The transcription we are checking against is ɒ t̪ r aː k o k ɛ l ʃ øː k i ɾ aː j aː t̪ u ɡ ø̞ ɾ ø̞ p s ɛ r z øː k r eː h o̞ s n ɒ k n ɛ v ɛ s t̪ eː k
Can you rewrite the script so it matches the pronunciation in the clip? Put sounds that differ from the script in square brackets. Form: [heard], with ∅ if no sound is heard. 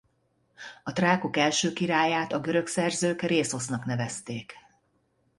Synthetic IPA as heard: ɒ t̪ r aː k o k ɛ l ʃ øː k i ɾ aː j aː t̪ [ɒ] ɡ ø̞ ɾ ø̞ [k] s ɛ r z øː k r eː [s] o̞ s n ɒ k n ɛ v ɛ s t̪ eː k